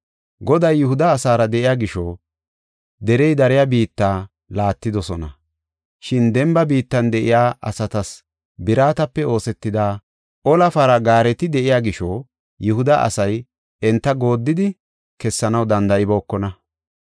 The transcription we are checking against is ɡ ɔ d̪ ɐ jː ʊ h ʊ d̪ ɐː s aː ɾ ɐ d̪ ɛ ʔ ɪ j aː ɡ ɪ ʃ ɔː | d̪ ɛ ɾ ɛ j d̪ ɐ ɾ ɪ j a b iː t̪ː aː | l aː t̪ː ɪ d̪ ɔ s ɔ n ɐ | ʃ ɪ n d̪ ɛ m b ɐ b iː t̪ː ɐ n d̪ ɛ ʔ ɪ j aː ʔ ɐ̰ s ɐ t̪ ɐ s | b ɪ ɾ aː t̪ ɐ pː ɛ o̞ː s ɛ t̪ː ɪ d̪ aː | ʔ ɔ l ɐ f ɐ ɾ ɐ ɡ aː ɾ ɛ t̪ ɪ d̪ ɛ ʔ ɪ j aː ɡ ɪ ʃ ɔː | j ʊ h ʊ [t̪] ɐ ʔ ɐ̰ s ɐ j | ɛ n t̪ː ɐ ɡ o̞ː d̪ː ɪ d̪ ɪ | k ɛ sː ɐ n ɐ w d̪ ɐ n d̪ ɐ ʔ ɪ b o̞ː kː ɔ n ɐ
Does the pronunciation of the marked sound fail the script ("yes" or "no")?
yes